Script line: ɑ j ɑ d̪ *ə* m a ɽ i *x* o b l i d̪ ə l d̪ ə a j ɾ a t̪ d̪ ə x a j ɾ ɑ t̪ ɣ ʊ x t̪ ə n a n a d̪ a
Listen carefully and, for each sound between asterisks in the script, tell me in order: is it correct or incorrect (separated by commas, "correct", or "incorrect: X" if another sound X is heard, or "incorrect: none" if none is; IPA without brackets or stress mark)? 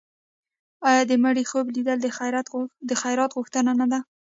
correct, correct